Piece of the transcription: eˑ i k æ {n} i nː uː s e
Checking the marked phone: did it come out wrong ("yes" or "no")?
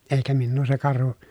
yes